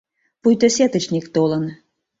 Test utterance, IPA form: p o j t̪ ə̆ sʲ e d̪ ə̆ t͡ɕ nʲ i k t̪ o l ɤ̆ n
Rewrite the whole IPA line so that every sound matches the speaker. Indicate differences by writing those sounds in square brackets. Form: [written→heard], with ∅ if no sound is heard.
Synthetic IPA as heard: p [o→u] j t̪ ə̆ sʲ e [d̪→t̪] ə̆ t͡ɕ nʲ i k t̪ o l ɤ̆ n